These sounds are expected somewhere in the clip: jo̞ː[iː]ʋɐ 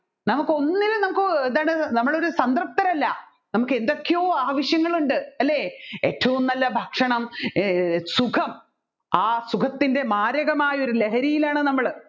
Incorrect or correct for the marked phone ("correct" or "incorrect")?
incorrect